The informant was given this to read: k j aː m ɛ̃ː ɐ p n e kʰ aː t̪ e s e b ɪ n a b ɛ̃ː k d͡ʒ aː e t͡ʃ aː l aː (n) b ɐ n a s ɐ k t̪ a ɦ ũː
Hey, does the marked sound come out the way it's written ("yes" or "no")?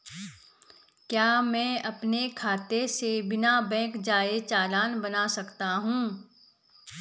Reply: yes